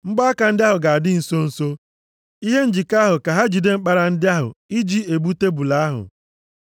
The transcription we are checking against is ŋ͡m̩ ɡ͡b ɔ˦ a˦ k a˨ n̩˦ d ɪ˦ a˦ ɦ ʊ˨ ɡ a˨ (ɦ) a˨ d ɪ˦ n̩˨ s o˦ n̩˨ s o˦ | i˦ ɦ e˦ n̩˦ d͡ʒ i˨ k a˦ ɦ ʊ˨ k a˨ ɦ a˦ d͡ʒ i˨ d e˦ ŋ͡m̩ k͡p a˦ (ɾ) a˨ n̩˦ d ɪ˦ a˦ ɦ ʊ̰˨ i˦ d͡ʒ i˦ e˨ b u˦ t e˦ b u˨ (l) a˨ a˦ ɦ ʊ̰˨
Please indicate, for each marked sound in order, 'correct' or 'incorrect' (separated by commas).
incorrect, correct, correct